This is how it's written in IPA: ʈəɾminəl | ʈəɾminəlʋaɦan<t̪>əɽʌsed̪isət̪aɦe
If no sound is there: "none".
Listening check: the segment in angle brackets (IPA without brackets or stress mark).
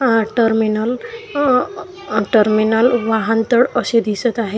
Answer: t̪